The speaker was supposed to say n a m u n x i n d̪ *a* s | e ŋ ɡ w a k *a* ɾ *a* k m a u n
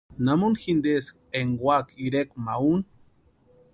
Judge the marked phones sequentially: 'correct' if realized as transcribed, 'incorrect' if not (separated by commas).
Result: incorrect, incorrect, incorrect